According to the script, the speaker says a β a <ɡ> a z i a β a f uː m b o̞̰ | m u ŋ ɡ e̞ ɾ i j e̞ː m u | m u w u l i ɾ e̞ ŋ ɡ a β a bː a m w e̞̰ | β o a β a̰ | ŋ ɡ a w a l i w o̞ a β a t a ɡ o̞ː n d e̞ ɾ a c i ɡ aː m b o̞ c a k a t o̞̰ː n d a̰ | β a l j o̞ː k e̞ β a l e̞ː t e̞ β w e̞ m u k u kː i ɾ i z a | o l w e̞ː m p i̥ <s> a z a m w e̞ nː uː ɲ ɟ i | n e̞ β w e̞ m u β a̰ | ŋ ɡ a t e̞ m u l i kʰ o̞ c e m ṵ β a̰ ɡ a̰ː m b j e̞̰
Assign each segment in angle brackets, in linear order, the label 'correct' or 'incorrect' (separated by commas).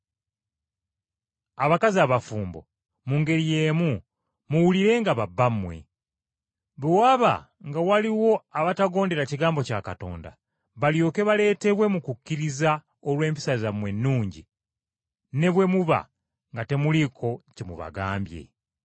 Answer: incorrect, correct